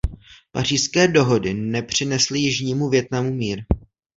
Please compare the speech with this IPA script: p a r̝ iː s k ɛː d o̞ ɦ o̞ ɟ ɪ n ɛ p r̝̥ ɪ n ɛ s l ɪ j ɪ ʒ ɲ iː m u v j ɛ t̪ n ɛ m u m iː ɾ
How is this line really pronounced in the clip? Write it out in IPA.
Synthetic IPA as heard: p a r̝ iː s k ɛː d o̞ ɦ o̞ d ɪ n ɛ p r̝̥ ɪ n ɛ s l ɪ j ɪ ʒ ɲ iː m u v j ɛ t̪ n a m u m iː ɾ